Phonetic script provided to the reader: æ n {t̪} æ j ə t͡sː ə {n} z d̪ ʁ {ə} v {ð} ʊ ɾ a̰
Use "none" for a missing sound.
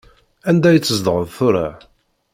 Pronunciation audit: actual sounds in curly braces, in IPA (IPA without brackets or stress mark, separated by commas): d̪, none, ə, θ